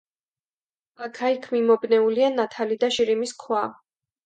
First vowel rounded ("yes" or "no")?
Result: no